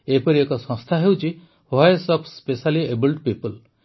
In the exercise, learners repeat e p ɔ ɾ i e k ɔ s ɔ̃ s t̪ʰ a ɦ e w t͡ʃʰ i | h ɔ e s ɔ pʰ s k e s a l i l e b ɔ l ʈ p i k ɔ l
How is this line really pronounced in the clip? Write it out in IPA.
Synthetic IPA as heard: e p ɔ ɾ i e k ɔ s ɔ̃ s t̪ʰ a ɦ e w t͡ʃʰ i | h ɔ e s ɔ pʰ s p e s a l i e b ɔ l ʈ p i p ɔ l